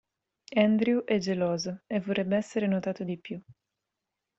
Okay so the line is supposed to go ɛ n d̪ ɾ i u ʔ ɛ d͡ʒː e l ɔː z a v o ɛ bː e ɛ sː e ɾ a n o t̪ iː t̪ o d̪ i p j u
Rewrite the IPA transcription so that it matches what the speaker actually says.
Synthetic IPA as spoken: ɛ n d̪ ɾ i u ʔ ɛ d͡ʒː e l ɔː z e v o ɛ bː e ɛ sː e ɾ e n o t̪ aː t̪ o d̪ i p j u